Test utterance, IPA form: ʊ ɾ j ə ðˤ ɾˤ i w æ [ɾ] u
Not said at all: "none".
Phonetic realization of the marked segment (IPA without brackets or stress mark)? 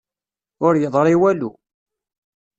l